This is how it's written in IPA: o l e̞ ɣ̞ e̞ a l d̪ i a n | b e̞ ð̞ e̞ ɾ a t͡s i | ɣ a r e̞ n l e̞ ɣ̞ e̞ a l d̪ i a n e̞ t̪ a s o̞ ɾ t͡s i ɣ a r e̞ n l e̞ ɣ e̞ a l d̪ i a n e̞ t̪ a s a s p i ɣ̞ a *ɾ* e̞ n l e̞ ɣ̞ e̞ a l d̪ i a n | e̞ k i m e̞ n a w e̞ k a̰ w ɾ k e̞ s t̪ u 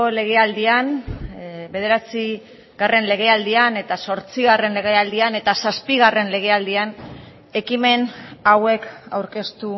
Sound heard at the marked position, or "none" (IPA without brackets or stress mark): r